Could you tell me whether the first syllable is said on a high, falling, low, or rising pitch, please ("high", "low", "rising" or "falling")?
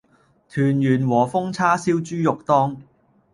low